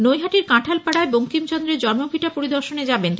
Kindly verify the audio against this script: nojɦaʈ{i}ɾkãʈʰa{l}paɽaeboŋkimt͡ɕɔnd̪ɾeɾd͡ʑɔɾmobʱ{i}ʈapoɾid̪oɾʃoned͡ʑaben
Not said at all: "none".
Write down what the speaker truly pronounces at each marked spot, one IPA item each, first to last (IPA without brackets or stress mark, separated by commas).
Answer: i, l, i